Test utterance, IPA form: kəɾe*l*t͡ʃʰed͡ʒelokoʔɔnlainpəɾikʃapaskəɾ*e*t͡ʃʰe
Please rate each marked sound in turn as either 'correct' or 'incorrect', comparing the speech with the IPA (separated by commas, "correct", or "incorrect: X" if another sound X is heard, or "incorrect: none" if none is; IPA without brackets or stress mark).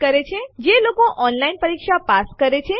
incorrect: none, correct